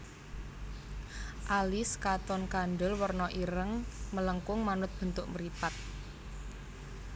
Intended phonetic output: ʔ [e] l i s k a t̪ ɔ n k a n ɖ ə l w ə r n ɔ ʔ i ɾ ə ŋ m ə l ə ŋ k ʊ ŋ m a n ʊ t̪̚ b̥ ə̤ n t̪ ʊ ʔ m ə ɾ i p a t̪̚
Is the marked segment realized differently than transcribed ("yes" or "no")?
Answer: yes